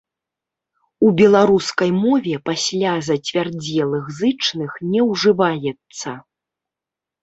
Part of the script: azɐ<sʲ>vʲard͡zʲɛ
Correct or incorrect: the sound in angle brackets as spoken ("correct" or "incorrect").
incorrect